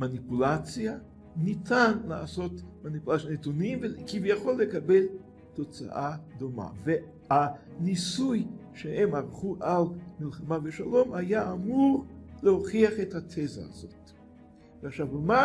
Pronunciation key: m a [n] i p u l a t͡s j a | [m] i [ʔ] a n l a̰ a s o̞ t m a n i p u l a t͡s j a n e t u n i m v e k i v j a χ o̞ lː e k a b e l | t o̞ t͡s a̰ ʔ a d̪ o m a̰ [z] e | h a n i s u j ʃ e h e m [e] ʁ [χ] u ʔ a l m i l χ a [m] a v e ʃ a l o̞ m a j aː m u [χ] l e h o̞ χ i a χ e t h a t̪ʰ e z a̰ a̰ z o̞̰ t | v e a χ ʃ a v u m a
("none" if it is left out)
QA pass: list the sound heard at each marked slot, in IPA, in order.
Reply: n, n, t, v, a, χ, m, ʁ

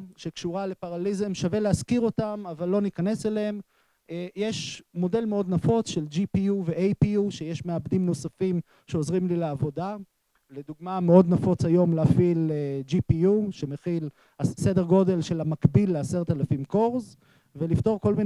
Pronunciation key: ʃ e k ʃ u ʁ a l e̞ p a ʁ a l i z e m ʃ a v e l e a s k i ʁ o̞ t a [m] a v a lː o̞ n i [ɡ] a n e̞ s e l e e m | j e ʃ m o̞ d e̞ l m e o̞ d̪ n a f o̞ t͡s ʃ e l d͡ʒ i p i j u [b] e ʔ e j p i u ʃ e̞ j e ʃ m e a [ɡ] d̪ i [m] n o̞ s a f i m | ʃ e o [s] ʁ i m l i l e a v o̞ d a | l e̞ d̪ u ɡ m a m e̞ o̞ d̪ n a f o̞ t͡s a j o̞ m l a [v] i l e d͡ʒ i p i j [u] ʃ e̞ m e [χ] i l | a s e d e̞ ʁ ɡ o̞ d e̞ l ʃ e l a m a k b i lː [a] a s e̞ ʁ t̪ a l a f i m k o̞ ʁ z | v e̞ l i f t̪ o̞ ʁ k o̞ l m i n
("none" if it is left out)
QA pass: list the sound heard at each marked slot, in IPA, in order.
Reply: m, k, v, b, m, z, f, u, χ, e

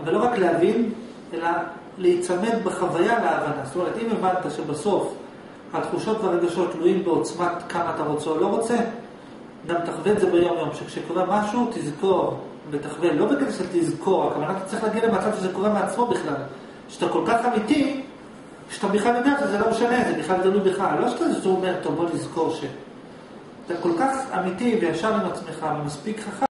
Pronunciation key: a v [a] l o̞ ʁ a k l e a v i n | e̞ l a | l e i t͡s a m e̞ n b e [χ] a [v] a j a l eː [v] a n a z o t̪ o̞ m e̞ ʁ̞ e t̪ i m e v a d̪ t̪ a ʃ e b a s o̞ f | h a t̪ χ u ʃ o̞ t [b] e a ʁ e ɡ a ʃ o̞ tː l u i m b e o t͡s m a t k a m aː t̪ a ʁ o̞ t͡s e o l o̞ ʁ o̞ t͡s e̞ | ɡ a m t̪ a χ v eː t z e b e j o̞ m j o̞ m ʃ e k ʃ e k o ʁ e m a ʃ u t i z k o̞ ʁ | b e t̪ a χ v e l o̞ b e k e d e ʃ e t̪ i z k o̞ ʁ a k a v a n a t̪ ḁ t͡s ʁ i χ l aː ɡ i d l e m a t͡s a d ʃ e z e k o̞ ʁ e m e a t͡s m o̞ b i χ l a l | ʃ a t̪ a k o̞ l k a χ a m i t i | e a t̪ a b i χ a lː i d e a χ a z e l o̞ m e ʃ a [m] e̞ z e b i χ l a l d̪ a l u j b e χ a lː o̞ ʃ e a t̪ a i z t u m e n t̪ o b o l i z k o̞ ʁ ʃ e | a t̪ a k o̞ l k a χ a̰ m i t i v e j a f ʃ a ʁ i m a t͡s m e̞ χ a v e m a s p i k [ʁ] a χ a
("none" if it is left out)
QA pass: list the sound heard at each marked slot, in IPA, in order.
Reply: a, χ, v, v, v, n, χ

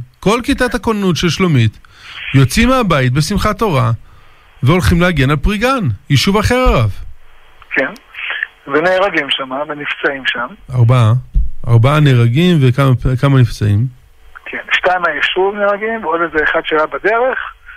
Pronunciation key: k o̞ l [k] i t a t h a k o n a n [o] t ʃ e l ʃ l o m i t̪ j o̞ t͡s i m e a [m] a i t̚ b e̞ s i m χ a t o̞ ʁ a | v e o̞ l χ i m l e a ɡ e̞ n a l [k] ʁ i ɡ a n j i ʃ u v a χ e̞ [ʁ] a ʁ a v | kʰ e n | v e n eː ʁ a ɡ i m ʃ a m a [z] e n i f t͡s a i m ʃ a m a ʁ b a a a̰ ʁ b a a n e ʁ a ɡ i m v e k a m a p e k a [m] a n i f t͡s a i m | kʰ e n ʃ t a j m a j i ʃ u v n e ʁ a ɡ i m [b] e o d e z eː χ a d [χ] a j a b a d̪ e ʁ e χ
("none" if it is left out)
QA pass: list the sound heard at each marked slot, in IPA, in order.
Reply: k, u, b, p, ʁ, v, m, v, ʃ

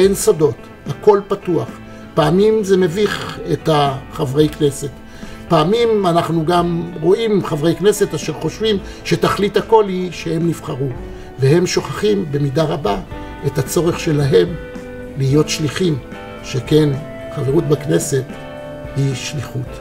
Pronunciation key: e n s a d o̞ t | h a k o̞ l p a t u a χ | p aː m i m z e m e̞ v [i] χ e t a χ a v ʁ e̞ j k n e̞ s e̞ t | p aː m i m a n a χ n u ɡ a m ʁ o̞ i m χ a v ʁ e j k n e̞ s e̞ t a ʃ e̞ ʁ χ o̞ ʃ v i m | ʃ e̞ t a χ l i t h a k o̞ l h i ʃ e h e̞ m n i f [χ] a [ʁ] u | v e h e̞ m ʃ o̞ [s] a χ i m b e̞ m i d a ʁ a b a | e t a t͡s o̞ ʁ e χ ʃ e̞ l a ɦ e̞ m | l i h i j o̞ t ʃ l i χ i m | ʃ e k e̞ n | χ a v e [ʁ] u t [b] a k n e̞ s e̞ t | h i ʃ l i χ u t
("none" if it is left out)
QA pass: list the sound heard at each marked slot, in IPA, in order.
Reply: i, χ, ʁ, χ, ʁ, b

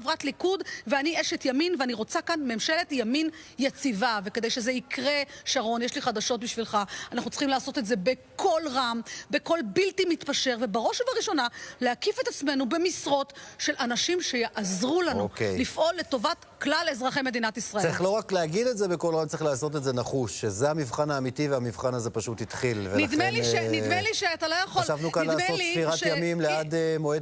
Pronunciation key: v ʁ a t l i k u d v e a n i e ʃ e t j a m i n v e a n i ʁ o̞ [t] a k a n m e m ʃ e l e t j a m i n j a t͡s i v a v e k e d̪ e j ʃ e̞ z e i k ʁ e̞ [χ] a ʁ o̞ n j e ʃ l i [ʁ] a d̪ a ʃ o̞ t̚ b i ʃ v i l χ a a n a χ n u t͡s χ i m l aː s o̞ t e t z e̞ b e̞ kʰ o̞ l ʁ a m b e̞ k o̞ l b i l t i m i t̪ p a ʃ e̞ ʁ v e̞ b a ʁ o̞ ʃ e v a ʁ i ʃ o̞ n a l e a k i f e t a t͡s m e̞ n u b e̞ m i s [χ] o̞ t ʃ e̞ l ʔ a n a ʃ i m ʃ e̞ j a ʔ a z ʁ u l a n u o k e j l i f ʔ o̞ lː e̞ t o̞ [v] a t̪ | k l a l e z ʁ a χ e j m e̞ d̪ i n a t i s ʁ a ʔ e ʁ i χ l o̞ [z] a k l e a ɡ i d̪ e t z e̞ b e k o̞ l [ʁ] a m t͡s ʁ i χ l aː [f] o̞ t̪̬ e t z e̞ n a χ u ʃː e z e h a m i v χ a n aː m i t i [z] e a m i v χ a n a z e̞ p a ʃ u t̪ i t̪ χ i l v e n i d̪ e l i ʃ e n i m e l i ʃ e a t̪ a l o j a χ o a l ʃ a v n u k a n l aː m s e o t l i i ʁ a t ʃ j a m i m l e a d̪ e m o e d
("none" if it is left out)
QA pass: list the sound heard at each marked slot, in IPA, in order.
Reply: t͡s, ʃ, χ, ʁ, v, ʁ, ʁ, s, v

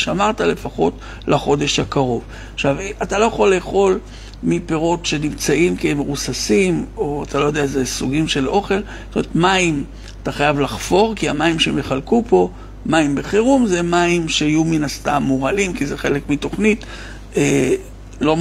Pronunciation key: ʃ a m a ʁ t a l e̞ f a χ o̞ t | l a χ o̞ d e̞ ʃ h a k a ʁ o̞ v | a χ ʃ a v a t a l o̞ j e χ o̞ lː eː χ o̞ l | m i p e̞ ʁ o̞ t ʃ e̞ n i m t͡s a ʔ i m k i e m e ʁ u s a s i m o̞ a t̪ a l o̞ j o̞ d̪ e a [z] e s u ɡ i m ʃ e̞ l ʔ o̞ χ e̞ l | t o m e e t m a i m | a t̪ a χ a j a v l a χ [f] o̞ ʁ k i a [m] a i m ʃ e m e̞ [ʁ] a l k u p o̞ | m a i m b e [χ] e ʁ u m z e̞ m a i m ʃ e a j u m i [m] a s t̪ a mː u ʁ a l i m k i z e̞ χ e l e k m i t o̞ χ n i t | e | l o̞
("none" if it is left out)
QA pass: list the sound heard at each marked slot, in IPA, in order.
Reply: z, f, m, χ, χ, n

